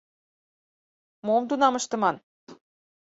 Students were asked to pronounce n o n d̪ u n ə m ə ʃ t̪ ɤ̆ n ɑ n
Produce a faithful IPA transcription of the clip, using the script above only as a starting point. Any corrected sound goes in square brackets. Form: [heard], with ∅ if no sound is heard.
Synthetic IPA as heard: [m] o [m] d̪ u n [ɑ] m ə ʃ t̪ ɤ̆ [m] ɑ n